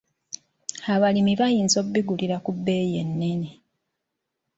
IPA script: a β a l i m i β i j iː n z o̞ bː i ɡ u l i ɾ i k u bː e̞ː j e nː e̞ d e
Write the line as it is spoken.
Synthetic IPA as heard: a β a l i m i β a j iː n z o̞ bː i ɡ u l i ɾ a k u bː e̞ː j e nː e̞ n e